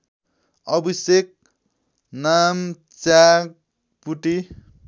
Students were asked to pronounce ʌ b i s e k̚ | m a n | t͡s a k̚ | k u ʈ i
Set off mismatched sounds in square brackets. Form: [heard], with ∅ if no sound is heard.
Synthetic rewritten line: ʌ b i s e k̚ | [n] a [m] | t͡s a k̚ | [p] u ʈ i